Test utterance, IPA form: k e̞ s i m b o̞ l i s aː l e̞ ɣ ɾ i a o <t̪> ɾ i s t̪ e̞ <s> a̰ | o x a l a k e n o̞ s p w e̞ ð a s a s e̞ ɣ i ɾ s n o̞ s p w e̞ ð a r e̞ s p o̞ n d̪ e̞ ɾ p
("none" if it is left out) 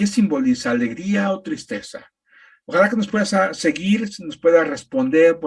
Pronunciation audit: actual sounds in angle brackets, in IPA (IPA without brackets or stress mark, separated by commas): t̪, s